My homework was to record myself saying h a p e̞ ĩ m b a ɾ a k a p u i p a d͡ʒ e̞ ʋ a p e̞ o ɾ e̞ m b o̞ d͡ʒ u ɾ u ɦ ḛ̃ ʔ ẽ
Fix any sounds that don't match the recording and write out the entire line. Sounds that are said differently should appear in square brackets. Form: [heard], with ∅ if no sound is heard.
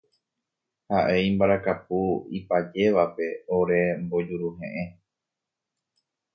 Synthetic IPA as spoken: h a [ʔ] e̞ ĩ m b a ɾ a k a p u i p a d͡ʒ e̞ ʋ a p e̞ o ɾ e̞ m b o̞ d͡ʒ u ɾ u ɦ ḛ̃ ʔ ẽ

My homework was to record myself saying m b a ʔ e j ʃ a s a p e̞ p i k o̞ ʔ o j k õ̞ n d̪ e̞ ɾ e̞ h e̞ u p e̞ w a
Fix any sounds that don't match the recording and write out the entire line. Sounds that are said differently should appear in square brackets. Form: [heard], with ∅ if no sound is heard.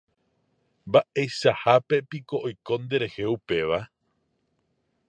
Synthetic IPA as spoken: m b a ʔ e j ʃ a [h] a p e̞ p i k o̞ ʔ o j k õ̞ n d̪ e̞ ɾ e̞ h e̞ u p e̞ [ʋ] a

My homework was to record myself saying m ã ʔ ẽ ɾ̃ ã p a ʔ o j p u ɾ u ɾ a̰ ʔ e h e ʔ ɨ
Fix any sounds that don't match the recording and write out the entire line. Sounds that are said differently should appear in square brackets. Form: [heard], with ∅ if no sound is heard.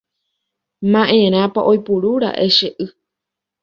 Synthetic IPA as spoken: m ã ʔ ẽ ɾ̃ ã p a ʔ o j p u ɾ u ɾ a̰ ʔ e [ʃ] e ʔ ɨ

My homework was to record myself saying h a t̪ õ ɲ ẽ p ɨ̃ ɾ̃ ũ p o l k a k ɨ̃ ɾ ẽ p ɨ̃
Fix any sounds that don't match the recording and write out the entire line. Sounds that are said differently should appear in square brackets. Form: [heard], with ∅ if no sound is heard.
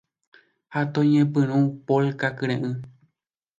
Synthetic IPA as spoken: h a t̪ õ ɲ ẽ p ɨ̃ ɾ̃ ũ p o l k a k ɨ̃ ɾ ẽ [ʔ] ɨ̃

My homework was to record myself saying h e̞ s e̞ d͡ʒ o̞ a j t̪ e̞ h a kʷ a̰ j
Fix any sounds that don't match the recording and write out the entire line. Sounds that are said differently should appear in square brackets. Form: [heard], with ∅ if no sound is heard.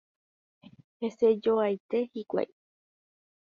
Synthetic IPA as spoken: h e̞ s e̞ d͡ʒ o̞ a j t̪ e̞ h [i] kʷ a̰ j

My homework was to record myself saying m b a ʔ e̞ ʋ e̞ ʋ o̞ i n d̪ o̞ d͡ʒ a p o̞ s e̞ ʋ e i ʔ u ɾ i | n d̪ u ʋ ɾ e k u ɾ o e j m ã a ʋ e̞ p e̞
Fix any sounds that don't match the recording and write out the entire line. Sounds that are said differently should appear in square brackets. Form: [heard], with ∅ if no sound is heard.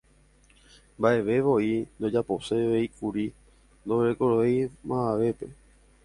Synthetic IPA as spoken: m b a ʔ e̞ ʋ e̞ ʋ o̞ i n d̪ o̞ d͡ʒ a p o̞ s e̞ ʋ e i [k] u ɾ i | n d̪ [o] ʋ ɾ e k [o] ɾ o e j m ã a ʋ e̞ p e̞

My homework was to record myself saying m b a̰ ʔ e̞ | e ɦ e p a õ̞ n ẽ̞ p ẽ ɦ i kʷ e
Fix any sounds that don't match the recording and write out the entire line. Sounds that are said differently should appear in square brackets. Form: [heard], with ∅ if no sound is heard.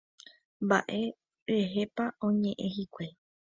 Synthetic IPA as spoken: m b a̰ ʔ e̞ | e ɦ e p a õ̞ [ɲ] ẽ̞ [ʔ] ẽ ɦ i kʷ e

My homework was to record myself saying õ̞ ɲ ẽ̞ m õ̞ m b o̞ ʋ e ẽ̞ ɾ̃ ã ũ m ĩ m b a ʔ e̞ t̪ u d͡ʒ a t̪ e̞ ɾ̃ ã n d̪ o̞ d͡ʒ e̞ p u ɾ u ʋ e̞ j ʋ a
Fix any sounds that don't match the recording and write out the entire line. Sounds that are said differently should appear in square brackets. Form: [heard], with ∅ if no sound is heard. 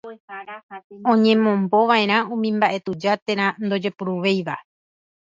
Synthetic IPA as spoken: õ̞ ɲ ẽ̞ m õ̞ m b o̞ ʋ [a] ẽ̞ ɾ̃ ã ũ m ĩ m b a ʔ e̞ t̪ u d͡ʒ a t̪ e̞ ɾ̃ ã n d̪ o̞ d͡ʒ e̞ p u ɾ u ʋ e̞ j ʋ a

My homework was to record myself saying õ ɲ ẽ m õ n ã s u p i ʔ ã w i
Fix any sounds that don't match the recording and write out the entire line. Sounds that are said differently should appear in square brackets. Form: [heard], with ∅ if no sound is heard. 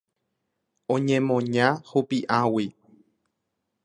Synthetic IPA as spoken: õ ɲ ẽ m õ [ɲ] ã [h] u p i ʔ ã w i

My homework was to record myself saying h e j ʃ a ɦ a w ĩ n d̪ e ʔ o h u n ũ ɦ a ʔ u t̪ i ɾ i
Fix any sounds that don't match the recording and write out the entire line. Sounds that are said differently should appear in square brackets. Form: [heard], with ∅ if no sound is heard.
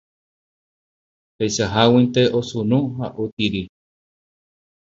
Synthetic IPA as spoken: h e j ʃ a ɦ a w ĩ n [t̪] e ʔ o [s] u n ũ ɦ a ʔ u t̪ i ɾ i

